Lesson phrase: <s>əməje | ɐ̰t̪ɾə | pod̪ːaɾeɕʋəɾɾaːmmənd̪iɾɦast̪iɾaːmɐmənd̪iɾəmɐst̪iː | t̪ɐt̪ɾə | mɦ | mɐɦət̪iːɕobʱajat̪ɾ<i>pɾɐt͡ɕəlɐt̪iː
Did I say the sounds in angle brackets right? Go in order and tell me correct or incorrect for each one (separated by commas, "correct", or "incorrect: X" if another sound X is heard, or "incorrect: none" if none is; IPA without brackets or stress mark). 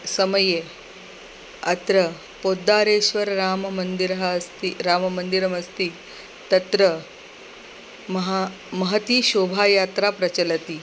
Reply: correct, incorrect: a